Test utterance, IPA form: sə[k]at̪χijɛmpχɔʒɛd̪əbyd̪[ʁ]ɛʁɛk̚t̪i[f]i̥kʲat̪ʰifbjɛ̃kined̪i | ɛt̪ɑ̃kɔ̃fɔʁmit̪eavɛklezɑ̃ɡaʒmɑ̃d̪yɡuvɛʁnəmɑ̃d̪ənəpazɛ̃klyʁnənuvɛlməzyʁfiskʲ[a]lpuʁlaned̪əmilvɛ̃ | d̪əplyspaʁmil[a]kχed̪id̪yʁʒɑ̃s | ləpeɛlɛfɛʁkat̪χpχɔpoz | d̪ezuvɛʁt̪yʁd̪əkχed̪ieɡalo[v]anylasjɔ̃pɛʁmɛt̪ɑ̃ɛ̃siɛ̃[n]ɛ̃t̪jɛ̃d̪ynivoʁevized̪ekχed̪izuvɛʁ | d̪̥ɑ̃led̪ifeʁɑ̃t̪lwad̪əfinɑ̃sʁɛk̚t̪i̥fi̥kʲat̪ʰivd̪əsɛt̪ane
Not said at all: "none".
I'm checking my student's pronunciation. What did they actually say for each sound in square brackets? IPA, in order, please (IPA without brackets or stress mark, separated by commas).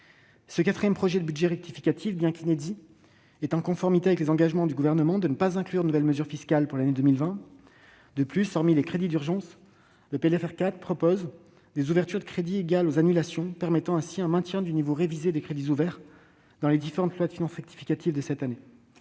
k, ʒ, f, a, e, z, m